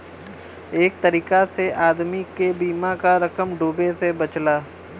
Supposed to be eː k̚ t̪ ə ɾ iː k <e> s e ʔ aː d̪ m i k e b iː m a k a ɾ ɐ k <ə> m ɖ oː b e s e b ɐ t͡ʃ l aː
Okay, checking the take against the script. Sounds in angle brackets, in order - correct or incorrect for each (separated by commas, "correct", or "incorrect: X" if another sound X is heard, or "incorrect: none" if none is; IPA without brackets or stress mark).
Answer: incorrect: a, correct